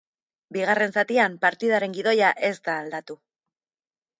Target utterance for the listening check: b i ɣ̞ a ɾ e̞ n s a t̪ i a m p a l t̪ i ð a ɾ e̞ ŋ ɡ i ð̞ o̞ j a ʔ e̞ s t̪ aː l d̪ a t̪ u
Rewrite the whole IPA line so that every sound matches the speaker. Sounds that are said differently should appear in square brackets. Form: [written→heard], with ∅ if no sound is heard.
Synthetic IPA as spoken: b i ɣ̞ a [ɾ→r] e̞ n s a t̪ i a m p a [l→ɾ] t̪ i ð a ɾ e̞ ŋ ɡ i ð̞ o̞ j a ʔ e̞ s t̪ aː l d̪ a t̪ u